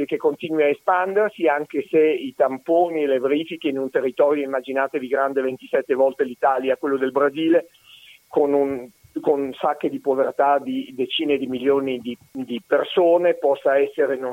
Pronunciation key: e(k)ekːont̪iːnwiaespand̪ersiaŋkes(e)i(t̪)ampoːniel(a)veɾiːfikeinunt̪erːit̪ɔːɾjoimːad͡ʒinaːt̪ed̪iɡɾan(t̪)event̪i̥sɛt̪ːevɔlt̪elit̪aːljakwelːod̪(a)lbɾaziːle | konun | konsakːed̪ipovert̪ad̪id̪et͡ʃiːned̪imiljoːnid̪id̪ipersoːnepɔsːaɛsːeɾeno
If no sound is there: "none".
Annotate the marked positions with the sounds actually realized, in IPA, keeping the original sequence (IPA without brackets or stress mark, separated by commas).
k, e, t̪, e, d̪, e